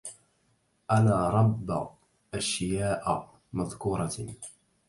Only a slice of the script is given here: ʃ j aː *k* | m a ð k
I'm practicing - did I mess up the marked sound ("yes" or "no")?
yes